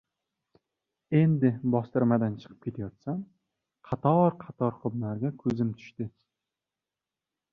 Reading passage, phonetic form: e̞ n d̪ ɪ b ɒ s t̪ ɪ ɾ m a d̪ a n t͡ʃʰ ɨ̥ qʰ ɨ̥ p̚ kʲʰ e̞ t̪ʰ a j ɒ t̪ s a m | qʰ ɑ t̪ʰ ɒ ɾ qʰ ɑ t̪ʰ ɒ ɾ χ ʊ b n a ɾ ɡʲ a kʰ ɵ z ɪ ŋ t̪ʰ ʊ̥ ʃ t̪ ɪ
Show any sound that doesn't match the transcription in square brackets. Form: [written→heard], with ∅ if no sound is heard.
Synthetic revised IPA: e̞ n d̪ ɪ b ɒ s t̪ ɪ ɾ m a d̪ a n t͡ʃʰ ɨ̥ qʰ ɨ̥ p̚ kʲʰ e̞ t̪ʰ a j ɒ t̪ s a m | qʰ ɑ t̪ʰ ɒ ɾ qʰ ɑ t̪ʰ ɒ ɾ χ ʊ b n a ɾ ɡʲ a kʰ ɵ z ɪ [ŋ→m] t̪ʰ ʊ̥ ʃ t̪ ɪ